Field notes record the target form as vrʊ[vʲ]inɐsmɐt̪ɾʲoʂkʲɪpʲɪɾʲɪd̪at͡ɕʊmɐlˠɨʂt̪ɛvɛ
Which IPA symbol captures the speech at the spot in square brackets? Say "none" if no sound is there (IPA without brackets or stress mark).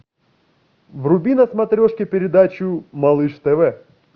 bʲ